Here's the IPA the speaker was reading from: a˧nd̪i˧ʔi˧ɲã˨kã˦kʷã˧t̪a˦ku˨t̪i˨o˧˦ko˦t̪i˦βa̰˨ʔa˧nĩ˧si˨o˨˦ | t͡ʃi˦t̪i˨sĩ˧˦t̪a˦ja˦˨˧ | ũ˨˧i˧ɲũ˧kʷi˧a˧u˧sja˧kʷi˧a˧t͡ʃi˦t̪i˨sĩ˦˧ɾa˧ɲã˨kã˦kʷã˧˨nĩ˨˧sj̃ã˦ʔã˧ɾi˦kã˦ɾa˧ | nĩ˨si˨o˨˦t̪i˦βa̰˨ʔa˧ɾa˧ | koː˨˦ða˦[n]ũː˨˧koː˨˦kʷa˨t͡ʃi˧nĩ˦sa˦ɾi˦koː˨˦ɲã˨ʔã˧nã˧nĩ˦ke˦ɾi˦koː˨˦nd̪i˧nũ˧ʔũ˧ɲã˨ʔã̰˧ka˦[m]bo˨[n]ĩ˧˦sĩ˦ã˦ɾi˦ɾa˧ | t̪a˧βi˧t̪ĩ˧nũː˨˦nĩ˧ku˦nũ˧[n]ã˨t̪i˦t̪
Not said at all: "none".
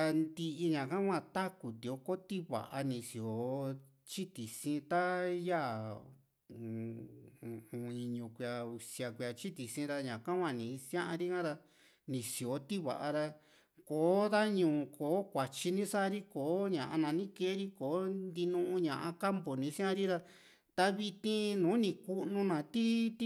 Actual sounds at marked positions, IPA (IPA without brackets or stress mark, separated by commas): ɲ, m, n, n